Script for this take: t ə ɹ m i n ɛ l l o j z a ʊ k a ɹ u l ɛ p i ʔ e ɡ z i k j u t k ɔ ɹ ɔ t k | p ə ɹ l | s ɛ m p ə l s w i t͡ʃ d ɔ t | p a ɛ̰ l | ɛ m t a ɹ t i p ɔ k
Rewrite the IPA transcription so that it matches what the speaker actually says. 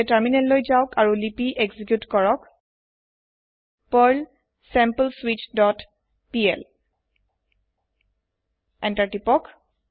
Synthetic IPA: t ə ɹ m i n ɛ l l o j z a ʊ k a ɹ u l i p i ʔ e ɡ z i k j u t k ɔ ɹ ɔ k | p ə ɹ l | s ɛ m p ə l s w i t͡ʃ d ɔ t | p i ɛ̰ l | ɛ n t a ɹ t i p ɔ k